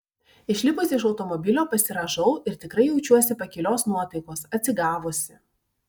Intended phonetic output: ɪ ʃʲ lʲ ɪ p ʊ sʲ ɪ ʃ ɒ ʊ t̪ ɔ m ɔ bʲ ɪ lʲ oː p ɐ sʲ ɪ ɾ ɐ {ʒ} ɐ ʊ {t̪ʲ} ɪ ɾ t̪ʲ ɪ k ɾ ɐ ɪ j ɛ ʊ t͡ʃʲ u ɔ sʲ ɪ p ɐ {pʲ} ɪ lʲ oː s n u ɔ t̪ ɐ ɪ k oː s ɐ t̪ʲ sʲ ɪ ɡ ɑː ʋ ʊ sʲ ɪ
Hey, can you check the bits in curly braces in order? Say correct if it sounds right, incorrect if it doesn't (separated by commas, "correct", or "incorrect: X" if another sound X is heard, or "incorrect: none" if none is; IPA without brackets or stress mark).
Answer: correct, incorrect: none, incorrect: kʲ